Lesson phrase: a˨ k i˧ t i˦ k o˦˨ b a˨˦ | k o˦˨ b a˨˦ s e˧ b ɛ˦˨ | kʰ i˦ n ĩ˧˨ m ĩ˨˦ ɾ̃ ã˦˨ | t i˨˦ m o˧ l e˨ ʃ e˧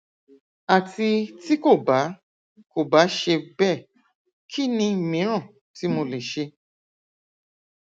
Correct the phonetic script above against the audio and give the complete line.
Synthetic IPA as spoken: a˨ t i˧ t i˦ k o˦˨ b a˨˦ | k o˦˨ b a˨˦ ʃ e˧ b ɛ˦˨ | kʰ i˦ n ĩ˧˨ m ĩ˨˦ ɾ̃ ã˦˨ | t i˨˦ m o˧ l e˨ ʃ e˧

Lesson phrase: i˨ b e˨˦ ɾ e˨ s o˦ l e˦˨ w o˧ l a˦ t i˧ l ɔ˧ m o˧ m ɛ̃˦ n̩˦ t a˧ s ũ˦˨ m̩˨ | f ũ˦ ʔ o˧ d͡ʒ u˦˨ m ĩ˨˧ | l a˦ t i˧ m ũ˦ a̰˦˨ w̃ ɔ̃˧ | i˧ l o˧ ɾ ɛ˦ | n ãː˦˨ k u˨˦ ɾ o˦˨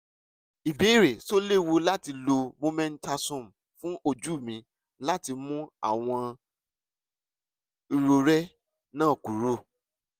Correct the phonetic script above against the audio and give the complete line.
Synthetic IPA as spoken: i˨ b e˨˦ ɾ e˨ s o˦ l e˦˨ w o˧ l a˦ t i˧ l o˧ m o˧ m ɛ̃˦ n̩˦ t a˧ s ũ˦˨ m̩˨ | f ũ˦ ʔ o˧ d͡ʒ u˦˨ m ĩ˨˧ | l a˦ t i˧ m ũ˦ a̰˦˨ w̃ ɔ̃˧ | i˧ ɾ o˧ ɾ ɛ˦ | n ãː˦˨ k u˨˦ ɾ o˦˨

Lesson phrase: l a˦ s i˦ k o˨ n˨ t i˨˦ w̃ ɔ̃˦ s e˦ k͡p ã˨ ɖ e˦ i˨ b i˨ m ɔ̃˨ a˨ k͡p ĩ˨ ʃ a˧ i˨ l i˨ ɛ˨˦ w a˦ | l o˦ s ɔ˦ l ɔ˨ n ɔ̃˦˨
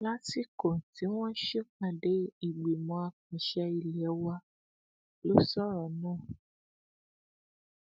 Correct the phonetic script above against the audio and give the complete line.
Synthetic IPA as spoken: l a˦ s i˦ k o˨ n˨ t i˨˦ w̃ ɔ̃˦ ʃ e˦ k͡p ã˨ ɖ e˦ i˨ ɡ͡b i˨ m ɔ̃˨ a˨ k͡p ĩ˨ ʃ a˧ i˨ l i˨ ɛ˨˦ w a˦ | l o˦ s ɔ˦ ɾ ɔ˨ n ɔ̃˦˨

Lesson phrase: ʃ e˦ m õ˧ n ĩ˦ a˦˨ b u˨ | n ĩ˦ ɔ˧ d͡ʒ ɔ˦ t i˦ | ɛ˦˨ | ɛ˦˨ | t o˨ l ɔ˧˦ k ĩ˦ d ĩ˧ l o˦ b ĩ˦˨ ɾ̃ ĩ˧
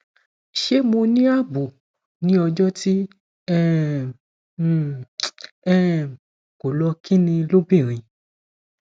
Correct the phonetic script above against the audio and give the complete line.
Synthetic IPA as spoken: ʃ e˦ m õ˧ n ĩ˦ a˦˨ b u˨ | n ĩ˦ ɔ˧ d͡ʒ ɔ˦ t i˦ | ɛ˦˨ | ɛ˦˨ | k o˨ l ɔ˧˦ k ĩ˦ n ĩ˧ l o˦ b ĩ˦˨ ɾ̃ ĩ˧

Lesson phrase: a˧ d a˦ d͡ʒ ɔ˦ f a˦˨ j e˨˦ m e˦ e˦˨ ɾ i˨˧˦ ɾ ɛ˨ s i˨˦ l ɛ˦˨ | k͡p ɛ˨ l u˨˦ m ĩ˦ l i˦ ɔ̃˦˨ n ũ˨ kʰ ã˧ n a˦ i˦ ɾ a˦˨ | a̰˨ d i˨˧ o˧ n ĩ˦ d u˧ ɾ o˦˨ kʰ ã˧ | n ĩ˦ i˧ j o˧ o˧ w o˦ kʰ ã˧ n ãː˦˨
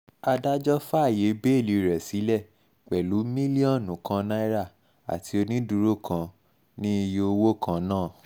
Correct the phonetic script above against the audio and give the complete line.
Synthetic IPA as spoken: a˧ d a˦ d͡ʒ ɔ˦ f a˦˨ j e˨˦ b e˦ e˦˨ l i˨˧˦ ɾ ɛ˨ s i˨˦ l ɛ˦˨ | k͡p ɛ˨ l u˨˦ m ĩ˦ l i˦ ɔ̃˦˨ n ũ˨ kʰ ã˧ n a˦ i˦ ɾ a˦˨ | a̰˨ t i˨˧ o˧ n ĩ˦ d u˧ ɾ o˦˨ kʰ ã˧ | n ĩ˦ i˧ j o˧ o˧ w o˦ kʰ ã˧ n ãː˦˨

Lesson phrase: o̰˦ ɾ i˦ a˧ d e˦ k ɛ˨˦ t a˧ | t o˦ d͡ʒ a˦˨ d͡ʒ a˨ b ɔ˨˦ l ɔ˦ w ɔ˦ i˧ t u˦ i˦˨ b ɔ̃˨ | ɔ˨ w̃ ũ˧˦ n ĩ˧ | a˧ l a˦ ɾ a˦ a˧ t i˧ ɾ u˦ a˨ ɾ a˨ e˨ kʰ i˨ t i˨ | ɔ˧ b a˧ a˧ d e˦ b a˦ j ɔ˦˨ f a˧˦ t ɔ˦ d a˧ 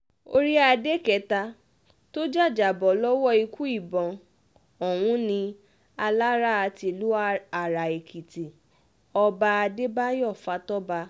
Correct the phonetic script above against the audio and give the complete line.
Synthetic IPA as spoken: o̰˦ ɾ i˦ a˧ d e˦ k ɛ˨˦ t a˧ | t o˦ d͡ʒ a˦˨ d͡ʒ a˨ b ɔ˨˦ l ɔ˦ w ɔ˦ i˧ k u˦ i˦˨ b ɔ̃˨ | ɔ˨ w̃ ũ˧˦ n ĩ˧ | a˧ l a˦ ɾ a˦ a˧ t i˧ l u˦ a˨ ɾ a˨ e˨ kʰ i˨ t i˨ | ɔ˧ b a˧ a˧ d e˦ b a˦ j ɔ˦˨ f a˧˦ t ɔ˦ b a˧

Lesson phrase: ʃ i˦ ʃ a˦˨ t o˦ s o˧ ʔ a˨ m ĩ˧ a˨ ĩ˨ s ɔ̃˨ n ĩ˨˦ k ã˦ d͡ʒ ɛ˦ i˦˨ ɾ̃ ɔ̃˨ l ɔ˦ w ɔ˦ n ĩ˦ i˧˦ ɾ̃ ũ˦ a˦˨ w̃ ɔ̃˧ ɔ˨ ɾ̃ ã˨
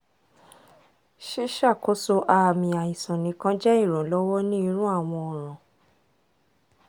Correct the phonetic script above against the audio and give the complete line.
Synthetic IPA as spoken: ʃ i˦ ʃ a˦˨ k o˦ s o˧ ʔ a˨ m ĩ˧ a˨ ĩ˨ s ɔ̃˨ n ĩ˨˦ k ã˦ d͡ʒ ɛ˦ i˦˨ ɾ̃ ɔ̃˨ l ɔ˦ w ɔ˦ n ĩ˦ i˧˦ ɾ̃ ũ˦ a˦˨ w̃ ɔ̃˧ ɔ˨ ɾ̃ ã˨

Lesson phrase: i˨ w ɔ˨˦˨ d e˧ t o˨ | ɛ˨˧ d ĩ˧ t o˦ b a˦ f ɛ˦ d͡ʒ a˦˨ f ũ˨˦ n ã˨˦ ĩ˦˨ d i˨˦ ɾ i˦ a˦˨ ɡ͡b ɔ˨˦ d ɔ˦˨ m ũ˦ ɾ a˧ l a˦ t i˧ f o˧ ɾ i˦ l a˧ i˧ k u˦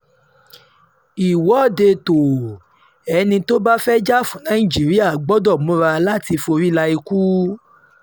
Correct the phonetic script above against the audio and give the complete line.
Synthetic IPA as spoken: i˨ w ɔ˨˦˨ d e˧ t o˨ | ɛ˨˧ n ĩ˧ t o˦ b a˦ f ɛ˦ d͡ʒ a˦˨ f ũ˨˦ n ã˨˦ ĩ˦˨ d͡ʒ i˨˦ ɾ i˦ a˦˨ ɡ͡b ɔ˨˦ d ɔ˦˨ m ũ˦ ɾ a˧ l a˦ t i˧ f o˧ ɾ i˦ l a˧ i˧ k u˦

